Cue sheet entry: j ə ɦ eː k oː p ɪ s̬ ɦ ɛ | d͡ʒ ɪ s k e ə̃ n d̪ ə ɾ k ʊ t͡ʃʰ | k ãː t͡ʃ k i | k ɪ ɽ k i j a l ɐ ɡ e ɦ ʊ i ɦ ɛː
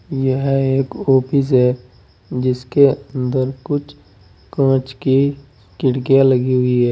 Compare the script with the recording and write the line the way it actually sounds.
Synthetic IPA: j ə ɦ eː k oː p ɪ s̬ ɦ ɛ | d͡ʒ ɪ s k e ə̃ n d̪ ə ɾ k ʊ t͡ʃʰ | k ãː t͡ʃ k i | k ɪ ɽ k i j a l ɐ ɡ i ɦ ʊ i ɦ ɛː